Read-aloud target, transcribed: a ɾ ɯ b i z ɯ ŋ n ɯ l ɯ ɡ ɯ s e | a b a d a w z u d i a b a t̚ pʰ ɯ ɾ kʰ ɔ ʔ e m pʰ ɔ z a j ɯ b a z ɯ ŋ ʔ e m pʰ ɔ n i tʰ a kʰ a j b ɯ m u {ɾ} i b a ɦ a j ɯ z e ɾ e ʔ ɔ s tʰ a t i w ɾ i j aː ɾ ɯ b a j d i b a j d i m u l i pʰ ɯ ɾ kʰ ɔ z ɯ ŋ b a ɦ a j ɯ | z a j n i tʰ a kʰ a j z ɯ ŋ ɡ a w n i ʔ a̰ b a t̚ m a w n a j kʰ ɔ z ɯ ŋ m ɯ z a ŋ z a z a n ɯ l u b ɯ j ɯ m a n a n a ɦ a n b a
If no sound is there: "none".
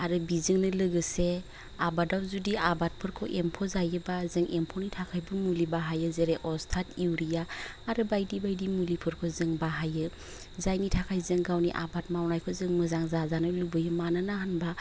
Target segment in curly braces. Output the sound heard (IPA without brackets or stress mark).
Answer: l